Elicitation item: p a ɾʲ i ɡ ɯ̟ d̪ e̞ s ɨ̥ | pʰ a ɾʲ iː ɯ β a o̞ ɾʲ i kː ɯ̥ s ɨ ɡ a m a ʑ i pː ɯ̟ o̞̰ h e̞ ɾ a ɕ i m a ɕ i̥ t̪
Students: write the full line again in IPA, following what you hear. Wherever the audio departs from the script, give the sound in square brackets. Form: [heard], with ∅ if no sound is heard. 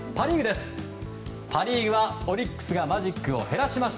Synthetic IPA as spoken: p a ɾʲ i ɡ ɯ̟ d̪ e̞ s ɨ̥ | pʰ a ɾʲ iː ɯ β a o̞ ɾʲ i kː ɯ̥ s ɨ ɡ a m a ʑ i [kː] ɯ̟ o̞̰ h e̞ ɾ a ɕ i m a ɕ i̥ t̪

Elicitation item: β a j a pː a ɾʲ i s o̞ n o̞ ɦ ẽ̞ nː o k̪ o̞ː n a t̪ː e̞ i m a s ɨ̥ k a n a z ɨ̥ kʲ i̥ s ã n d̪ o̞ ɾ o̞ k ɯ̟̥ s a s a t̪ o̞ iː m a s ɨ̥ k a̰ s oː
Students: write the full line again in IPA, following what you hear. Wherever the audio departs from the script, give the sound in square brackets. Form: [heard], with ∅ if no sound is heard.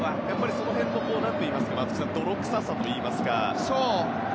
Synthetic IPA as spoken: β a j a pː a ɾʲ i s o̞ n o̞ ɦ ẽ̞ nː o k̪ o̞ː n a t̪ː e̞ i m a s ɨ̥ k a [m] a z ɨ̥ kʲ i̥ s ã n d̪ o̞ ɾ o̞ k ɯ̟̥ s a s a t̪ o̞ iː m a s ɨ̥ k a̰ s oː

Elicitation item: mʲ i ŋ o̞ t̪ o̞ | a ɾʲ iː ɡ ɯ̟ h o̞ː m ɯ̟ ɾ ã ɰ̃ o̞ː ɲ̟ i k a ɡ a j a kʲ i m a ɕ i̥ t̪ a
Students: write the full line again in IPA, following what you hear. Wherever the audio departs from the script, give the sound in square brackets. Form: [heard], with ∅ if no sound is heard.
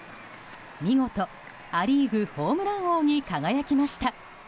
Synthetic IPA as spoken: mʲ i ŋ o̞ t̪ o̞ | a ɾʲ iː ɡ ɯ̟ h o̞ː m ɯ̟ ɾ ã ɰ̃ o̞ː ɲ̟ i k a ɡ a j a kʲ i m a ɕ i̥ t̪ a

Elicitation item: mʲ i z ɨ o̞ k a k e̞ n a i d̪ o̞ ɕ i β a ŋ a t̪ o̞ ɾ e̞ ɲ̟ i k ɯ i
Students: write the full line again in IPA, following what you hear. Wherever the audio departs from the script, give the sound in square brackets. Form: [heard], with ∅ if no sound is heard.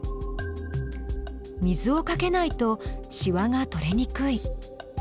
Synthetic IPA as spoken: mʲ i z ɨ o̞ k a k e̞ n a i [t̪] o̞ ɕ i β a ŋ a t̪ o̞ ɾ e̞ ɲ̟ i k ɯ i

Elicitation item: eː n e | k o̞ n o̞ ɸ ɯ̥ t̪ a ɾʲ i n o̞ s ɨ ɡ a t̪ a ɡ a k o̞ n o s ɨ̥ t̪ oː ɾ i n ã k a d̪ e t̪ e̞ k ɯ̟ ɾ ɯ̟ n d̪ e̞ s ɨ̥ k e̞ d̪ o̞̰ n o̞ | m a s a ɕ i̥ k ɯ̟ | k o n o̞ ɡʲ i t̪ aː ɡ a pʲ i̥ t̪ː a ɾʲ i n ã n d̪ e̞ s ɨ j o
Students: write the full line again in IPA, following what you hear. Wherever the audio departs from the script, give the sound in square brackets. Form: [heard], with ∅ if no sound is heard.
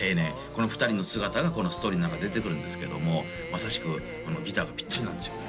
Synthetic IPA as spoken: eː n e | k o̞ n o̞ ɸ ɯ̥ t̪ a ɾʲ i n o̞ s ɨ ɡ a t̪ a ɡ a k o̞ n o s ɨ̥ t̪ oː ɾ i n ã k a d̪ e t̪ e̞ k ɯ̟ ɾ ɯ̟ n d̪ e̞ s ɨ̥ k e̞ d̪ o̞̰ [m] o̞ | m a s a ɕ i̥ k ɯ̟ | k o n o̞ ɡʲ i t̪ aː ɡ a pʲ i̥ t̪ː a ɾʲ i n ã n d̪ e̞ s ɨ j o

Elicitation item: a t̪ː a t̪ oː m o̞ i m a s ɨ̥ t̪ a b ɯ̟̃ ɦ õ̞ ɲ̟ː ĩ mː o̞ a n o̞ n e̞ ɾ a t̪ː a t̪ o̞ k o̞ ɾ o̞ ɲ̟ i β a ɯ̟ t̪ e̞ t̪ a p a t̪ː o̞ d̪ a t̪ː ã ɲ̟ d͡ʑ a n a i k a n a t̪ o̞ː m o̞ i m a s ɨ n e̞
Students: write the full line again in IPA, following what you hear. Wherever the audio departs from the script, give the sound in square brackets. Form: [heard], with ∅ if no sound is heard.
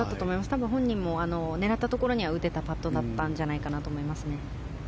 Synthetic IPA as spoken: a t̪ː a t̪ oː m o̞ i m a s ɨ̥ t̪ a b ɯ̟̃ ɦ õ̞ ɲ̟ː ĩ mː o̞ a n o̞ n e̞ ɾ a t̪ː a t̪ o̞ k o̞ ɾ o̞ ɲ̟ i β a ɯ̟ t̪ e̞ t̪ a p a t̪ː o̞ d̪ a t̪ː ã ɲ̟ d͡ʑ a n a i k a n a t̪ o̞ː m o̞ i m a s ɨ n e̞

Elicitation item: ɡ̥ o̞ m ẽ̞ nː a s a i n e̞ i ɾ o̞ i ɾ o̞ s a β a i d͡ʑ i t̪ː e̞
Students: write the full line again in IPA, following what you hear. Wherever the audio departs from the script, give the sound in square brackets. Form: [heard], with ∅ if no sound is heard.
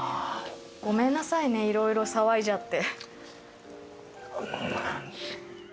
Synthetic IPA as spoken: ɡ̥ o̞ m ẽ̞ nː a s a i n e̞ i ɾ o̞ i ɾ o̞ s a β a i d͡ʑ [a] t̪ː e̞

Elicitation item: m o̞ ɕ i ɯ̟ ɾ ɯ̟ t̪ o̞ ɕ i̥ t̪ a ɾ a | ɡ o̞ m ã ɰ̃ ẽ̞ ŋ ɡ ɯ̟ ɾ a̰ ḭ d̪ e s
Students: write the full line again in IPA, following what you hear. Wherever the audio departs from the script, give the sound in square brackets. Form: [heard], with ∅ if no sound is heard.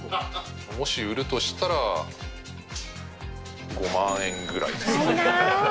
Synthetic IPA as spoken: m o̞ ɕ i ɯ̟ ɾ ɯ̟ t̪ o̞ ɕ i̥ t̪ a ɾ a | ɡ o̞ m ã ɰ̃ ẽ̞ ŋ ɡ ɯ̟ ɾ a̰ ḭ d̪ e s

